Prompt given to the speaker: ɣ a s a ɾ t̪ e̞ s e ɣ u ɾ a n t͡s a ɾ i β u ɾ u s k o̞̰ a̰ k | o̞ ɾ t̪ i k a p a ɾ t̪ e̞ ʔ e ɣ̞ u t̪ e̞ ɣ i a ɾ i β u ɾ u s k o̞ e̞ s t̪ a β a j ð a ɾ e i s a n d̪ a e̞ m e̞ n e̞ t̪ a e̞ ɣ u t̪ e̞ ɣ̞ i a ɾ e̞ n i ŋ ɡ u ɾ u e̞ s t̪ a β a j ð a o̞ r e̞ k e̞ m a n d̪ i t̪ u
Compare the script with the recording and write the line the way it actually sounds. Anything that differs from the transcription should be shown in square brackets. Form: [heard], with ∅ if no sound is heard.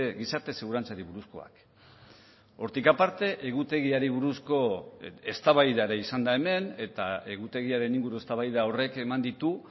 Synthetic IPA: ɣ [i] s a ɾ t̪ e̞ s e ɣ u ɾ a n t͡s a ɾ i β u ɾ u s k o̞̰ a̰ k | o̞ ɾ t̪ i k a p a ɾ t̪ e̞ ʔ e ɣ̞ u t̪ e̞ ɣ i a ɾ i β u ɾ u s k o̞ e̞ s t̪ a β a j ð a ɾ e i s a n d̪ a e̞ m e̞ n e̞ t̪ a e̞ ɣ u t̪ e̞ ɣ̞ i a ɾ e̞ n i ŋ ɡ u ɾ u e̞ s t̪ a β a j ð a o̞ r e̞ k e̞ m a n d̪ i t̪ u